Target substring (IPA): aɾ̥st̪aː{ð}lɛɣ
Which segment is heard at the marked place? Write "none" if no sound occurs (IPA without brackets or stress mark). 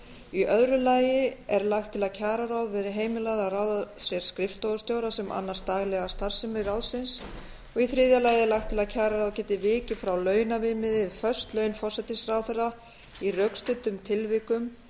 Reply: ɣ